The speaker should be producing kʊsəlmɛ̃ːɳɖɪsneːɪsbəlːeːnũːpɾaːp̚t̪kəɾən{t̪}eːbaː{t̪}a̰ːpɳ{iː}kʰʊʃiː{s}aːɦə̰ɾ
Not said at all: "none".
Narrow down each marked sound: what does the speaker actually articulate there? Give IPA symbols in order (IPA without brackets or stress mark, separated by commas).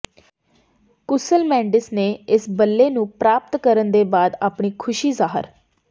d̪, d̪, iː, z